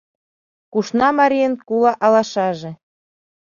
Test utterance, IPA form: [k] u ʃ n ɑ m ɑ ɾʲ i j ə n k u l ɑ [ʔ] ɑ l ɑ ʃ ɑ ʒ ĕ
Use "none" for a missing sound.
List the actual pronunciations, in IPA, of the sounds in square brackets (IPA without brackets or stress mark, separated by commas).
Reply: k, ʔ